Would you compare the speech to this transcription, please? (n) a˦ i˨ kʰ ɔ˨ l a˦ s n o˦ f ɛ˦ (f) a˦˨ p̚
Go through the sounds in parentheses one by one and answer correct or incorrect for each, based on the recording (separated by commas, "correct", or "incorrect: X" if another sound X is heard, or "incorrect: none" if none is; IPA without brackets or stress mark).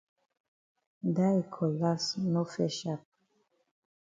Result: incorrect: d, incorrect: ʃ